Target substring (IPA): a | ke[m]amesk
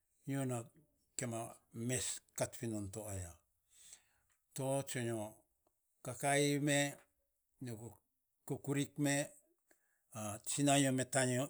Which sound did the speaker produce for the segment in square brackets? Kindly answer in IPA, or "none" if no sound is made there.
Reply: m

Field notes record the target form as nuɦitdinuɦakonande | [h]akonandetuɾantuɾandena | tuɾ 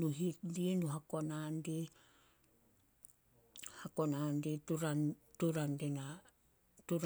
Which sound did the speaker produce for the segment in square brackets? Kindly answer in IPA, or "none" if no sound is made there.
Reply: h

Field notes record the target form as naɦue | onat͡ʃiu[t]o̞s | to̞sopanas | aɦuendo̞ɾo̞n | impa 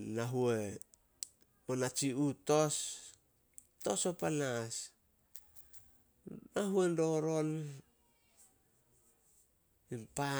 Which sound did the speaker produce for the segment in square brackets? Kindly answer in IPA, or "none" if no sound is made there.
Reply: t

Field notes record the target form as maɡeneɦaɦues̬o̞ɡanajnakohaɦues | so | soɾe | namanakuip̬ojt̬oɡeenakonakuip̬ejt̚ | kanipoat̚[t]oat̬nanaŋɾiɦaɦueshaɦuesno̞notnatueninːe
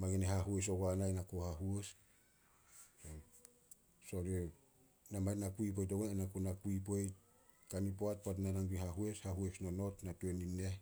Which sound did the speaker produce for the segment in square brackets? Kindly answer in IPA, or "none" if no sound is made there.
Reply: p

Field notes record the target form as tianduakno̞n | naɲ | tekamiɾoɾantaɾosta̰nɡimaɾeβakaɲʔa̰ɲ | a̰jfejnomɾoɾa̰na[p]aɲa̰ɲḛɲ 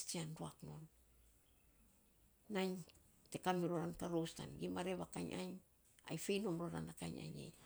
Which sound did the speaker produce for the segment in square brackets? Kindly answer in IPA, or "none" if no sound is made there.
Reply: k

